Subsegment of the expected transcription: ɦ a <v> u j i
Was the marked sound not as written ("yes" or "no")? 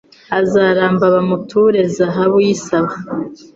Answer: yes